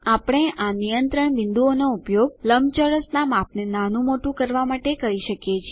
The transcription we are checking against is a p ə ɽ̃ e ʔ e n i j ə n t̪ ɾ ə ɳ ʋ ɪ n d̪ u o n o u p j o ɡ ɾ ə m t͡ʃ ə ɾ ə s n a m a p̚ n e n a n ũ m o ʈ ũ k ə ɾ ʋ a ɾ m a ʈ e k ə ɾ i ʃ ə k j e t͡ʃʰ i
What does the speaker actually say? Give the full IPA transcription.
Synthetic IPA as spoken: a p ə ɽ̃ e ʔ a n i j ə n t̪ ɾ ə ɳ ʋ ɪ n d̪ u o n o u p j o ɡ l ə m t͡ʃ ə ɾ ə s n a m a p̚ n e n a n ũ m o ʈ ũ k ə ɾ ʋ a m a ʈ e k ə ɾ i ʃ ə k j e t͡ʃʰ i